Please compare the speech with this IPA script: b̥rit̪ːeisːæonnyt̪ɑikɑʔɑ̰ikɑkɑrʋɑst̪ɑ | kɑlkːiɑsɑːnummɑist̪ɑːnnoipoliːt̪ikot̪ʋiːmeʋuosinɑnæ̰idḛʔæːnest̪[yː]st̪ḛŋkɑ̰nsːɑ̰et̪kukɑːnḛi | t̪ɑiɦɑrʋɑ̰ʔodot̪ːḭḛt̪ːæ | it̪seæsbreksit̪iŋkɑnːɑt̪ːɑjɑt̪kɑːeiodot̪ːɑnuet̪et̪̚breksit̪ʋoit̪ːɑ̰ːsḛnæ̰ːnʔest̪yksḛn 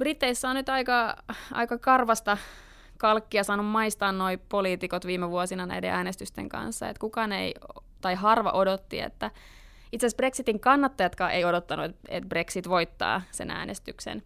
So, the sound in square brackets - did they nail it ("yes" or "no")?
no